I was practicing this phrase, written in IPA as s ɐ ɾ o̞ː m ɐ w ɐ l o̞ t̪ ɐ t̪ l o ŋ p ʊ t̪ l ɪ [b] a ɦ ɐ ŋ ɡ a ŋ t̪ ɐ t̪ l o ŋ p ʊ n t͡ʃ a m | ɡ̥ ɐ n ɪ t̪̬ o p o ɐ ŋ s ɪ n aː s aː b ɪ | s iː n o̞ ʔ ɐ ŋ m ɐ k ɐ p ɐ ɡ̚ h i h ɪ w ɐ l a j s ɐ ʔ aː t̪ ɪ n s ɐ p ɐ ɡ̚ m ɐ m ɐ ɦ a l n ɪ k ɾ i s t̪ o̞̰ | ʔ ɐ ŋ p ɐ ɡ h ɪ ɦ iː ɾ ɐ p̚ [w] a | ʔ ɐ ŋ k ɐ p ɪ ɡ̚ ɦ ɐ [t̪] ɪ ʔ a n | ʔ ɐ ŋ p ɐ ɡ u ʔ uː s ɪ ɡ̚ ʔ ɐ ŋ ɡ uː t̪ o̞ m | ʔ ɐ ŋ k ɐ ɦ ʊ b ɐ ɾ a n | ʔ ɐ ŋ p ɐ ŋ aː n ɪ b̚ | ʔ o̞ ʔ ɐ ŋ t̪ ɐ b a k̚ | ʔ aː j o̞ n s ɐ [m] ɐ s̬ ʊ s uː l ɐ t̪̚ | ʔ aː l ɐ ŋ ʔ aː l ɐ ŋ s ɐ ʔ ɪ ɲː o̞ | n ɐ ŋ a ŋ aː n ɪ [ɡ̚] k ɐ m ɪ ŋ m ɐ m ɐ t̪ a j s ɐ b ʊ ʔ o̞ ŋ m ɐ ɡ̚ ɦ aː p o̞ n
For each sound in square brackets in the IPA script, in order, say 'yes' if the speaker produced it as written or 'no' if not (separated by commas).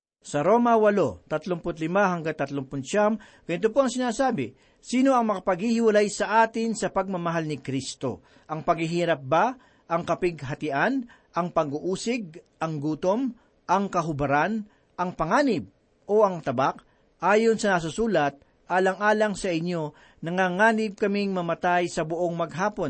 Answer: no, no, yes, no, no